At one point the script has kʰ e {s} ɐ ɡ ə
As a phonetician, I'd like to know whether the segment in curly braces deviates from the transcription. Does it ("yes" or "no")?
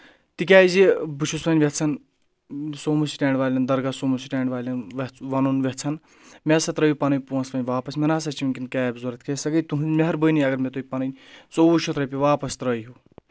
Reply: no